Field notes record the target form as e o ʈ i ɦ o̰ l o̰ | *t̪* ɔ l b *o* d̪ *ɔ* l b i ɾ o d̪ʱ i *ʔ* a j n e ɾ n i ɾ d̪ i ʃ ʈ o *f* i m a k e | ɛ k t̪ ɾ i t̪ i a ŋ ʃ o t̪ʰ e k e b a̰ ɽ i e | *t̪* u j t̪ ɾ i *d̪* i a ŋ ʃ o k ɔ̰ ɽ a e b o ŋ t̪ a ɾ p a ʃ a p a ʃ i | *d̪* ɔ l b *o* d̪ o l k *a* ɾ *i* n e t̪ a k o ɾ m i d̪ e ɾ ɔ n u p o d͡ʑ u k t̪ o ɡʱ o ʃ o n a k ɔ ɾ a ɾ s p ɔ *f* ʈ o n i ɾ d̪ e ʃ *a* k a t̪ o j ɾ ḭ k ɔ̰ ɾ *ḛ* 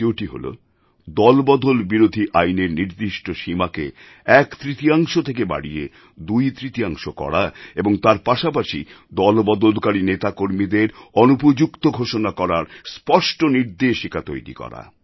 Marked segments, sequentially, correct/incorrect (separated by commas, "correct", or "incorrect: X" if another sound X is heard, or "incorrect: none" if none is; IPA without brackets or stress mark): incorrect: d̪, incorrect: ɔ, incorrect: o, correct, incorrect: ʃ, incorrect: d̪, incorrect: t̪, correct, incorrect: ɔ, correct, correct, incorrect: ʃ, incorrect: i, incorrect: a̰